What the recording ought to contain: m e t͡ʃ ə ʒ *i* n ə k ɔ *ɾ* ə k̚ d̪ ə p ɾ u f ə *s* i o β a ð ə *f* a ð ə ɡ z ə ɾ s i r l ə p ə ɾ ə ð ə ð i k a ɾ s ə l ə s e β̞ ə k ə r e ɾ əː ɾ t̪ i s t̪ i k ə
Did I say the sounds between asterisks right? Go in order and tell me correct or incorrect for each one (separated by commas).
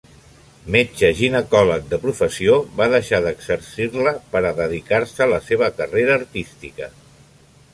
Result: correct, incorrect, correct, incorrect